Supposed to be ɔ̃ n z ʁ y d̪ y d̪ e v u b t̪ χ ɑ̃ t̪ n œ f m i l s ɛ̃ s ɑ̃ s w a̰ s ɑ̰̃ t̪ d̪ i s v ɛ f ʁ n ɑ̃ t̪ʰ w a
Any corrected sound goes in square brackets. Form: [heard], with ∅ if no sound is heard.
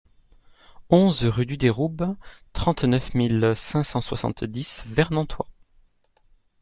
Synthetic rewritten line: ɔ̃ [∅] z ʁ y d̪ y d̪ e [ʁ] u b t̪ χ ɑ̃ t̪ n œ f m i l s ɛ̃ s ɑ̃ s w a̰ s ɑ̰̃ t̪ d̪ i s v ɛ [∅] ʁ n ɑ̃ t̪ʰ w a

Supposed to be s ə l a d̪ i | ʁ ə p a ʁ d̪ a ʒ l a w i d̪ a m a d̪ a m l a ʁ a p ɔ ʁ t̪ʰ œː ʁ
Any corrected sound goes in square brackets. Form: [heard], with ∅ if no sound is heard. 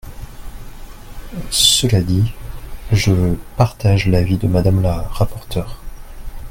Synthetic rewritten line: s ə l a d̪ i | [ʒ] ə p a ʁ [t̪] a ʒ l a [v] i d̪ [ə] m a d̪ a m l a ʁ a p ɔ ʁ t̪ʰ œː ʁ

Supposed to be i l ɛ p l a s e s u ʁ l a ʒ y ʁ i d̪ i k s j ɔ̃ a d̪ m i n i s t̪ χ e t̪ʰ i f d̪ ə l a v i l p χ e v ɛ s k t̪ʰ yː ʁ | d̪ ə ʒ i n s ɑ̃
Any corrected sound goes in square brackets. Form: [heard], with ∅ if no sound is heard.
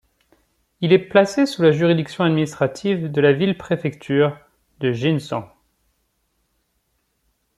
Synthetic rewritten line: i l ɛ p l a s e s u [∅] l a ʒ y ʁ i d̪ i k s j ɔ̃ a d̪ m i n i s t̪ χ [a] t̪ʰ i [v] d̪ ə l a v i l p χ e [f] ɛ [∅] k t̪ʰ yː ʁ | d̪ ə ʒ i n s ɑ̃

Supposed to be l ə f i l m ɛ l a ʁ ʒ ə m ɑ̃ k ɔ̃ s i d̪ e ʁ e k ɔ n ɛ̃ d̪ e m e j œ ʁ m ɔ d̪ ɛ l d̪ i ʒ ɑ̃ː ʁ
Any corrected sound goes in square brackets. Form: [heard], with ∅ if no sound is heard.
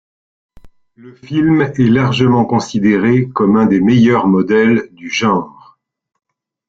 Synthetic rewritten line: l ə f i l m ɛ l a ʁ ʒ ə m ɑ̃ k ɔ̃ s i d̪ e ʁ e k ɔ [m] ɛ̃ d̪ e m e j œ ʁ m ɔ d̪ ɛ l d̪ [y] ʒ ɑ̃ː ʁ

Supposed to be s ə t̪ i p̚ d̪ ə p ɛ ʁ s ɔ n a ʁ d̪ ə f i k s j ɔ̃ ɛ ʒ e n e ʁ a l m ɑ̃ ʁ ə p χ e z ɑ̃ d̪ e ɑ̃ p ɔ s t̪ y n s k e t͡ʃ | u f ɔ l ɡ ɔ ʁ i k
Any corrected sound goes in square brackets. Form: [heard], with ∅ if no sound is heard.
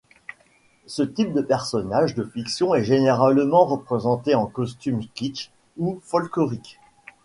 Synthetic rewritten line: s ə t̪ i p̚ d̪ ə p ɛ ʁ s ɔ n a [ʒ] d̪ ə f i k s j ɔ̃ ɛ ʒ e n e ʁ a l m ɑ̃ ʁ ə p χ e z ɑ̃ [t̪] e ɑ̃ [k] ɔ s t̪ y [m] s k [i] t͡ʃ | u f ɔ l [k] ɔ ʁ i k

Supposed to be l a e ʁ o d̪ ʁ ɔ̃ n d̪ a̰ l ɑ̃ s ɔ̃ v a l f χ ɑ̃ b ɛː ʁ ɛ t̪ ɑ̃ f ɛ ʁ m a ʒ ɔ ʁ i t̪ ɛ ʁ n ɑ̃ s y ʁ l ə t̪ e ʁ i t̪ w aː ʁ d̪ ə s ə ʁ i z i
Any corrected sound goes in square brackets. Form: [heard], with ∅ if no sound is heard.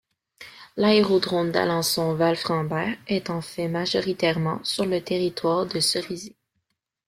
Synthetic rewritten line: l a e ʁ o d̪ ʁ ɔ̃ n d̪ a̰ l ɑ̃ s ɔ̃ v a l f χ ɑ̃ b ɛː ʁ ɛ t̪ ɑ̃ f ɛ [∅] m a ʒ ɔ ʁ i t̪ ɛ ʁ [m] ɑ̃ s y ʁ l ə t̪ e ʁ i t̪ w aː ʁ d̪ ə s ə ʁ i z i

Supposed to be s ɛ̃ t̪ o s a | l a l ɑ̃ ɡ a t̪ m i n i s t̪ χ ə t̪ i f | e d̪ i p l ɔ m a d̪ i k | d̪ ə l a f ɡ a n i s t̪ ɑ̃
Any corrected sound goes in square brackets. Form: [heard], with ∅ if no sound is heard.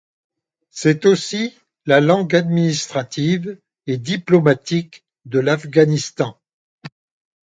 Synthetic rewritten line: s [ɛ] t̪ o s [i] | l a l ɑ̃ ɡ a [d̪] m i n i s t̪ χ [a] t̪ i [v] | e d̪ i p l ɔ m a [t̪] i k | d̪ ə l a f ɡ a n i s t̪ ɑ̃

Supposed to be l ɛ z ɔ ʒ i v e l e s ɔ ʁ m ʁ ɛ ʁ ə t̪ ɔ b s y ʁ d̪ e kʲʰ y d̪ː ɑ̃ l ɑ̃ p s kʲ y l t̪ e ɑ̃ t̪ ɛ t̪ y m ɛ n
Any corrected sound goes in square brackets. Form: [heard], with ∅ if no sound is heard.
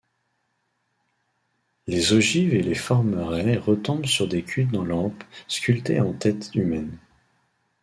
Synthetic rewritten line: l [e] z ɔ ʒ i v e l e [f] ɔ ʁ m ʁ ɛ ʁ ə t̪ [ɔ̃] b s y ʁ d̪ e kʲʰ y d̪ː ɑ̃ l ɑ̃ p s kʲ y l t̪ e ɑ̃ t̪ ɛ t̪ y m ɛ n

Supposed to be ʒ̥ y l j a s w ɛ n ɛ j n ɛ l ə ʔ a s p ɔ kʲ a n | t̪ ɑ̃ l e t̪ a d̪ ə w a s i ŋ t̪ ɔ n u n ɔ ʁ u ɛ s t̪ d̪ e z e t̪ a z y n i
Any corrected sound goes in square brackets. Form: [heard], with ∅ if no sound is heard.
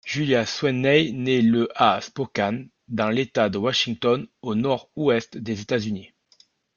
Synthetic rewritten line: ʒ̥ y l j a s w ɛ n ɛ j n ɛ l ə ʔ a s p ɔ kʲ a n | [d̪] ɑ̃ l e t̪ a d̪ ə w a [ʃ] i ŋ t̪ ɔ n [o] n ɔ ʁ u ɛ s t̪ d̪ e z e t̪ a z y n i

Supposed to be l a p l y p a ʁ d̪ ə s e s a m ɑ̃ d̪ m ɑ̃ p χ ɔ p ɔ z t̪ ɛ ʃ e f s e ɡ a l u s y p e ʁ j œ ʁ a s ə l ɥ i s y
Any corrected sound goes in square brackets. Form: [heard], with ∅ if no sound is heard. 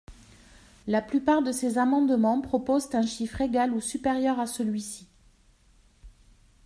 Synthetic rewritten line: l a p l y p a ʁ d̪ ə s e [z] a m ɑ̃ d̪ m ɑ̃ p χ ɔ p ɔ z t̪ [ɛ̃] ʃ [i] f [χ] e ɡ a l u s y p e ʁ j œ ʁ a s ə l ɥ i s [i]

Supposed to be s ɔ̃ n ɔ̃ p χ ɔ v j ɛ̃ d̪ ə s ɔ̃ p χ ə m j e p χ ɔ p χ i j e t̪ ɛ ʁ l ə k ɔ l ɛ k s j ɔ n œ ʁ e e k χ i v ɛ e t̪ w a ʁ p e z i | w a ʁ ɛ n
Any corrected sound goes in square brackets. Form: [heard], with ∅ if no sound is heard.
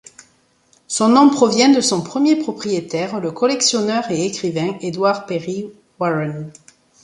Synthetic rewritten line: s ɔ̃ n ɔ̃ p χ ɔ v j ɛ̃ d̪ ə s ɔ̃ p χ ə m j e p χ ɔ p χ i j e t̪ ɛ ʁ l ə k ɔ l ɛ k s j ɔ n œ ʁ e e k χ i v [ɛ̃] e [d̪] w a ʁ p e [ʁ] i | w a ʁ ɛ n

